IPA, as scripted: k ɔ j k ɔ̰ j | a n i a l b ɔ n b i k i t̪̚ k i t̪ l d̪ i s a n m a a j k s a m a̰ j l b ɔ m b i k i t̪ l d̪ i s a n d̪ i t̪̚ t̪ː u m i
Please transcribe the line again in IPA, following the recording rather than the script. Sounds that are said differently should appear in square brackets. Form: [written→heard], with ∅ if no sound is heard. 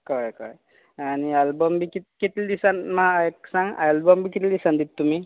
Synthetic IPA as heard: k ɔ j k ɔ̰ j | a n i a l b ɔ [n→m] b i k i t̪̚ k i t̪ l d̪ i s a n m a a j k s a [m→ŋ] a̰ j l b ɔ m b i k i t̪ l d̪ i s a n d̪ i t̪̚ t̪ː u m i